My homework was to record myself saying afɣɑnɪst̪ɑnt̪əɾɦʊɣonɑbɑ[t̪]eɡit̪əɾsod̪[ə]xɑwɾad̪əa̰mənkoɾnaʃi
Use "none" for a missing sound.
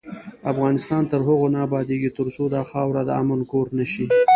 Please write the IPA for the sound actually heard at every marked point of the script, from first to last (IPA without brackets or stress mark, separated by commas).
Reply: d̪, ɑ